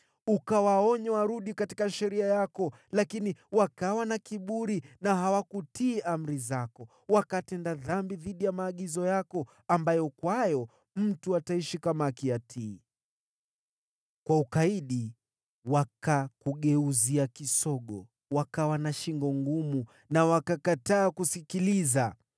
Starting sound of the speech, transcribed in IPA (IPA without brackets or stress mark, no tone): u